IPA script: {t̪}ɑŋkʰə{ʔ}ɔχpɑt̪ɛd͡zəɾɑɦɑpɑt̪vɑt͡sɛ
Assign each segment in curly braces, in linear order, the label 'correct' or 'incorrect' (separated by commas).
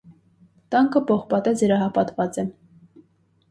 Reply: correct, incorrect